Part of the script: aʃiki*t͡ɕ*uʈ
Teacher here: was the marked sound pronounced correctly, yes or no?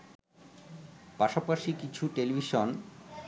no